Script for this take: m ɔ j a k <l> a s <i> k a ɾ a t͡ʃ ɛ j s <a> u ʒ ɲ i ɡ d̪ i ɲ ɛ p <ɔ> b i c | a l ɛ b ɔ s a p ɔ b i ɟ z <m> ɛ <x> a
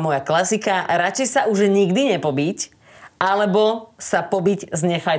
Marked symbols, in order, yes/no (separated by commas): yes, yes, yes, yes, no, no